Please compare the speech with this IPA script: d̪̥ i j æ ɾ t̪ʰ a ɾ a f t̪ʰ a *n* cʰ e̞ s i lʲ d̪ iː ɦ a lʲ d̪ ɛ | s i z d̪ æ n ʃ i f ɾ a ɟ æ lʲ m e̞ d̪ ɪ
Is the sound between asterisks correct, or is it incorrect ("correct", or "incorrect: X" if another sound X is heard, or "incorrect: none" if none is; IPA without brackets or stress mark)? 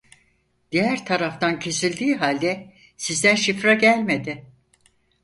correct